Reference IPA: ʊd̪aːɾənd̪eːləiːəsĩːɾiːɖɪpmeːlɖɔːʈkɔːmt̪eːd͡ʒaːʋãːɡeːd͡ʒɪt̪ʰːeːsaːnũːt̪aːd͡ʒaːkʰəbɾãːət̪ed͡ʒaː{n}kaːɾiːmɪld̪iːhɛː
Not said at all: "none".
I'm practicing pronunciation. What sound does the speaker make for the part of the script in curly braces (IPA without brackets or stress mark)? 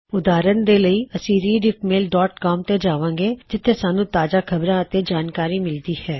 n